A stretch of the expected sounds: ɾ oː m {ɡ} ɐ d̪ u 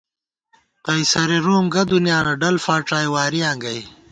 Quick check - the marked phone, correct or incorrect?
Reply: correct